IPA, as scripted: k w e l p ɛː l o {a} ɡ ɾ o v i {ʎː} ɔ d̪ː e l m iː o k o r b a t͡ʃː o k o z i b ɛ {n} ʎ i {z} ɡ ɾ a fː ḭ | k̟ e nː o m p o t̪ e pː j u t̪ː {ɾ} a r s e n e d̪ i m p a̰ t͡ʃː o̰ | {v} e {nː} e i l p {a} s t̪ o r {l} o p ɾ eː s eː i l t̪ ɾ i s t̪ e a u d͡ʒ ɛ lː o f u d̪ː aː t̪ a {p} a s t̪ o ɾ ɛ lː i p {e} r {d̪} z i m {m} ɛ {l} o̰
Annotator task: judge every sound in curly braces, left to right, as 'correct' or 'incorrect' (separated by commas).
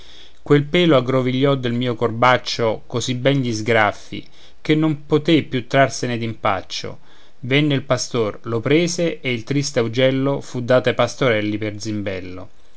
correct, correct, correct, correct, correct, correct, correct, correct, correct, correct, correct, correct, incorrect, incorrect